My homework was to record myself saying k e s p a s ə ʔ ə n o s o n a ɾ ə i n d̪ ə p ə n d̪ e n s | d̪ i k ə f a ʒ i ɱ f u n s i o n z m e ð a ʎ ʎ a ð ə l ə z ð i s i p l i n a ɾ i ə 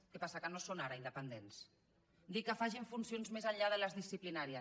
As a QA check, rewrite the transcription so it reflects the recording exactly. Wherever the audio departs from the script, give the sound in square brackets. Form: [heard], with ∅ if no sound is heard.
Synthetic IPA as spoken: k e [∅] p a s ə [k] ə n o s o n a ɾ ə i n d̪ ə p ə n d̪ e n s | d̪ i k ə f a ʒ i ɱ f u n s i o n z m e [z] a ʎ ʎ a ð ə l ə z ð i s i p l i n a ɾ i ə